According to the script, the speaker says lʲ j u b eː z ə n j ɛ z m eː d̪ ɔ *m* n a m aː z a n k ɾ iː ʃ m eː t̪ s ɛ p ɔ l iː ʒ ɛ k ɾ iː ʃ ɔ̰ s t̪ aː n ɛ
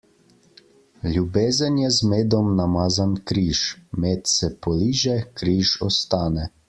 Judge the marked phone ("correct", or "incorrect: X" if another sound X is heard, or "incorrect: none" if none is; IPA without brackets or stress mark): correct